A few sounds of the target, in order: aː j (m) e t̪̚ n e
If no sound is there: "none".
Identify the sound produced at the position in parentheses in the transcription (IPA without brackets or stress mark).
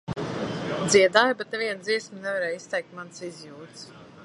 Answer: b